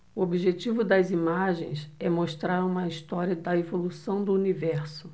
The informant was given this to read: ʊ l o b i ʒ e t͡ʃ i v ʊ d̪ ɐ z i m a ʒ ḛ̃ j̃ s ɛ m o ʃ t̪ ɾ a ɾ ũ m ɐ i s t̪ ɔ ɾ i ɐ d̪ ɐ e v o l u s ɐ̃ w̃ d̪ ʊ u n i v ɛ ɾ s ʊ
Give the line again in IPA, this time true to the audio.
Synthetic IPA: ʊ o b i ʒ e t͡ʃ i v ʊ d̪ ɐ z i m a ʒ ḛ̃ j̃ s ɛ m o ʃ t̪ ɾ a ɾ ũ m ɐ i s t̪ ɔ ɾ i ɐ d̪ ɐ e v o l u s ɐ̃ w̃ d̪ ʊ u n i v ɛ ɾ s ʊ